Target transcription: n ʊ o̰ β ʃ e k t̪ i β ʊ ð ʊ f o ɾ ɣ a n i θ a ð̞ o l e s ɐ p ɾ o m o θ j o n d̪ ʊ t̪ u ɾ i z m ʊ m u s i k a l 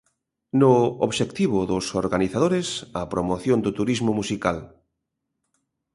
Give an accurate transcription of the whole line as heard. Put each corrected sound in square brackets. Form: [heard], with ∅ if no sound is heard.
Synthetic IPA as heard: n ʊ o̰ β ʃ e k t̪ i β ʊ ð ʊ [s] o ɾ ɣ a n i θ a ð̞ o [ɾ] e s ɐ p ɾ o m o θ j o n d̪ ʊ t̪ u ɾ i z m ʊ m u s i k a l